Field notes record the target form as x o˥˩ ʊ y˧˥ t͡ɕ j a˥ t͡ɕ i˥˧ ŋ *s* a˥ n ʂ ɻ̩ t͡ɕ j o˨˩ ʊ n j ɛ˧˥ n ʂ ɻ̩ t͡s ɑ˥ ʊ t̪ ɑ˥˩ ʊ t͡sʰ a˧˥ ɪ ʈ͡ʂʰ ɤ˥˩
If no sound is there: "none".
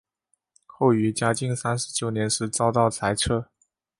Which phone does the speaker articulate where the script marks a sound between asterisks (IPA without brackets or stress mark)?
s